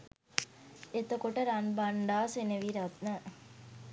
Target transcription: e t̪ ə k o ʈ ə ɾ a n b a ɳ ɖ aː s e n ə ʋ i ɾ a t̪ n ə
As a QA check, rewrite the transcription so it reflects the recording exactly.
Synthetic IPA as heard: e t̪ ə k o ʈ ə ɾ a n b a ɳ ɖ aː s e n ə ʋ i ɾ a t̪ n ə